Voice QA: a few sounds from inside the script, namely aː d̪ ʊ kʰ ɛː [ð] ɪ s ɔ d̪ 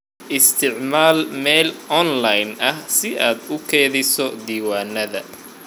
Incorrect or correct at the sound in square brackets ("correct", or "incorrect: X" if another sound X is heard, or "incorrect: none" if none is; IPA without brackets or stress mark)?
correct